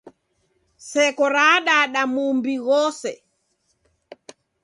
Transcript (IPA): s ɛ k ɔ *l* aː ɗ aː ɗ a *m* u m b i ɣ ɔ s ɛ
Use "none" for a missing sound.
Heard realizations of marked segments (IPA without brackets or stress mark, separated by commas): ɾ, m